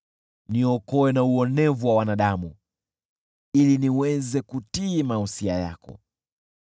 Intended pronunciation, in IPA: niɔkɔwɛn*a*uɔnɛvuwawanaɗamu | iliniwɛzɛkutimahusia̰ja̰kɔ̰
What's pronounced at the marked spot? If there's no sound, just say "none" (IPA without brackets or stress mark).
a